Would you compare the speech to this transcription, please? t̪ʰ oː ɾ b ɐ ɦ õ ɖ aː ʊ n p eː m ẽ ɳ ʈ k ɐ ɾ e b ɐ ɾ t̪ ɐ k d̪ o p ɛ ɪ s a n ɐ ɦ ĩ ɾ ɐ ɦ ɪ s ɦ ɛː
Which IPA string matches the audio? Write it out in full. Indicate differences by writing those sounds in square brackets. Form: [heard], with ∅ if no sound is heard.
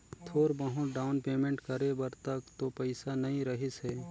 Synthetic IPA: t̪ʰ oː ɾ b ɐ ɦ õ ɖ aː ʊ n p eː m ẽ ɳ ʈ k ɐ ɾ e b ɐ ɾ t̪ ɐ k [t̪] o p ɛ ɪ s a n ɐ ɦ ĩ ɾ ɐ ɦ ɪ s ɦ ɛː

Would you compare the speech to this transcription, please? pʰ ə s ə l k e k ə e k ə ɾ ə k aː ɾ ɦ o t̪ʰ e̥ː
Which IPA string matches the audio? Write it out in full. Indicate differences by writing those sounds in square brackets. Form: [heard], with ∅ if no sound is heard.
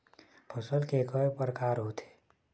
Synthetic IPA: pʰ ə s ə l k e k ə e [p] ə ɾ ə k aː ɾ ɦ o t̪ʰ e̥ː

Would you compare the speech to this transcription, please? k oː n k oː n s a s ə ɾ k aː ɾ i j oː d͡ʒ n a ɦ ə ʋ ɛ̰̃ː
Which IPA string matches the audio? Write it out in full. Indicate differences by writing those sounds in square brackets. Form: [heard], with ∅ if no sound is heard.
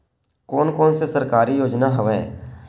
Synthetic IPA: k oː n k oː n s [e] s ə ɾ k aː ɾ i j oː d͡ʒ n a ɦ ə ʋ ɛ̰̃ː

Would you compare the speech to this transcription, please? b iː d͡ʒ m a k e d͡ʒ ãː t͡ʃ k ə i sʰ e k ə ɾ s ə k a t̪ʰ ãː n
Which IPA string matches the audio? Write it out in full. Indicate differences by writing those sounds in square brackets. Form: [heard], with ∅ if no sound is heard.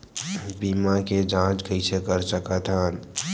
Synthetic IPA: b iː [∅] m a k e d͡ʒ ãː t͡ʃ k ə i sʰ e k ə ɾ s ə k a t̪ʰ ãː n

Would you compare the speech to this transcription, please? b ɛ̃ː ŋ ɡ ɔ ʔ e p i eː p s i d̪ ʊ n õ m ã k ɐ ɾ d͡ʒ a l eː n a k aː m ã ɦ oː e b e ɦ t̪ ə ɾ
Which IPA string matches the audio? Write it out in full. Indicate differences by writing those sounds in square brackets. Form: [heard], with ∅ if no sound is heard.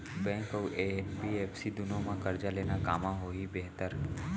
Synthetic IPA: b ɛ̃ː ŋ [k] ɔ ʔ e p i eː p s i d̪ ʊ n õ m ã k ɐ ɾ d͡ʒ a l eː n a k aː m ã ɦ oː [i] b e ɦ t̪ ə ɾ

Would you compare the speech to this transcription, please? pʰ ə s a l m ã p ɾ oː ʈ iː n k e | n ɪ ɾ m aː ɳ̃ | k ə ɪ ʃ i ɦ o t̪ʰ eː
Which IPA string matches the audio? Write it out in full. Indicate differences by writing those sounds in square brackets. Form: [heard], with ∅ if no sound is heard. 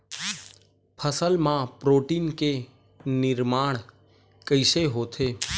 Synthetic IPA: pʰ ə s [ə] l m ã p ɾ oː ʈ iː n k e | n ɪ ɾ m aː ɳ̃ | k ə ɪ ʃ [e] ɦ o t̪ʰ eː

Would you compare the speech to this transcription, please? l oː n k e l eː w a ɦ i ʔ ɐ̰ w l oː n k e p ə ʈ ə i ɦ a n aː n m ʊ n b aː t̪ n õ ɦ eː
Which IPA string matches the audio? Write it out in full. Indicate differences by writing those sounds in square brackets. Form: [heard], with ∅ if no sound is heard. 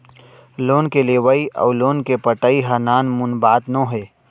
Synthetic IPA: l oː n k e l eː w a [∅] i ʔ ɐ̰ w l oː n k e p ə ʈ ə i ɦ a n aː n m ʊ n b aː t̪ n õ ɦ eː

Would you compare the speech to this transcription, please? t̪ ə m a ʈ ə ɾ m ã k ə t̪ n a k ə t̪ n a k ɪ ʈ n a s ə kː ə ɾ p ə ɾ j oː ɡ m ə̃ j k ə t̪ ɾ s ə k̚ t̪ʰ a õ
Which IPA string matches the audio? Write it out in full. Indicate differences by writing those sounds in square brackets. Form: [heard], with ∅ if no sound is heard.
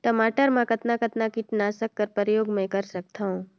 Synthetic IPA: t̪ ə m a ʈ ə ɾ m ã k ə t̪ n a k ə t̪ n a k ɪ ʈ n a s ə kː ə ɾ p ə ɾ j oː ɡ m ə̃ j k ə [∅] ɾ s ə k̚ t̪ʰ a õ

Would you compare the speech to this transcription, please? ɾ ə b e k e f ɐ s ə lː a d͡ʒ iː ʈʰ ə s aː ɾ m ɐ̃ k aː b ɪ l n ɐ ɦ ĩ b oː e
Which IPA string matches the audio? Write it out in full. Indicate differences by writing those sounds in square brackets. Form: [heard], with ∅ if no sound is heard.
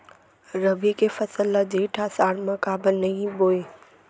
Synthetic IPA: ɾ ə b [i] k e f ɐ s ə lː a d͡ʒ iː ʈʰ [a] s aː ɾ m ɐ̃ k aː b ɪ l n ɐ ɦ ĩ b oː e

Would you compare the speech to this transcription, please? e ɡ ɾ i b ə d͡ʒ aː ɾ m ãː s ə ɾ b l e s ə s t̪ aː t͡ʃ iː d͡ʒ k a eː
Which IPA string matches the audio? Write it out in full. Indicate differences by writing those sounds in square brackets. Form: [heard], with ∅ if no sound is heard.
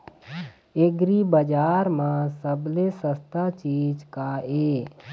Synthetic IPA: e ɡ ɾ i b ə d͡ʒ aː ɾ m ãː s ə [∅] b l e s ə s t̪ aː t͡ʃ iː d͡ʒ k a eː

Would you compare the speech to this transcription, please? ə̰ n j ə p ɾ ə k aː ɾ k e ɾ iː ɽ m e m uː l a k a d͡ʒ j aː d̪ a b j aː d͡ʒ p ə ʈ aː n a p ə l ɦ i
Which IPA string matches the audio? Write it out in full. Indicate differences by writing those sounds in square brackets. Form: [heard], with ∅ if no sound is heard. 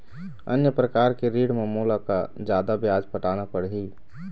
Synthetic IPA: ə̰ n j ə p ɾ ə k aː ɾ k e ɾ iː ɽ m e m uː l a k a d͡ʒ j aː d̪ a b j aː d͡ʒ p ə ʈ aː n a p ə [ɽ] ɦ i

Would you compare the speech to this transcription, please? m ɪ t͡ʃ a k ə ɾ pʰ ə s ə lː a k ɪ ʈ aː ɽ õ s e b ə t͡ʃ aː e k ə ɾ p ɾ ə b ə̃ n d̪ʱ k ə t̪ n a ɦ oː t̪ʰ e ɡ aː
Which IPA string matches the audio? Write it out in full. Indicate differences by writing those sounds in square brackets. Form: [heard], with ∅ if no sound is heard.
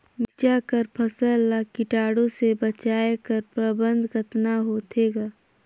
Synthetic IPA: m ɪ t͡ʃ a k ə ɾ pʰ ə s ə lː a k ɪ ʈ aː ɽ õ s e b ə t͡ʃ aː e k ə ɾ p ɾ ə b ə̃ n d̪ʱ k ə t̪ n a ɦ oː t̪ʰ e ɡ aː

